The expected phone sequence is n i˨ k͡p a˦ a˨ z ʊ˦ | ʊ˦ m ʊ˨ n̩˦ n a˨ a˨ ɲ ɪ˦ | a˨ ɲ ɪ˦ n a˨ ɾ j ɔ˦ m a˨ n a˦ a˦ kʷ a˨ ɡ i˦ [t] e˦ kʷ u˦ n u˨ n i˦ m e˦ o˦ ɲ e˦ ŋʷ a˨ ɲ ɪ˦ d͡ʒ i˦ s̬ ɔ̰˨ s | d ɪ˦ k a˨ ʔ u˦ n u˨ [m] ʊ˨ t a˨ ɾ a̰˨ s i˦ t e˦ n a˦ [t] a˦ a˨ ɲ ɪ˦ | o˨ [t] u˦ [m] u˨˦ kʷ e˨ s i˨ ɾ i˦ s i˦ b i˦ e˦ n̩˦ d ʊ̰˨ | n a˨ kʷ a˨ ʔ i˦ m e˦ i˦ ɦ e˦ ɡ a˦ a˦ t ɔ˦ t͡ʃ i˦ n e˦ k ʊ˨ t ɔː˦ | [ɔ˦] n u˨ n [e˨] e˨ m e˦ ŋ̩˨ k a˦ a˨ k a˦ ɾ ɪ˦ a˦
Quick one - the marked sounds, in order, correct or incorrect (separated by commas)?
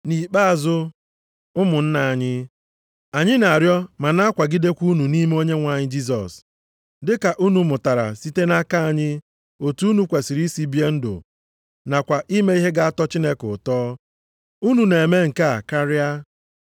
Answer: incorrect, correct, incorrect, correct, incorrect, incorrect, correct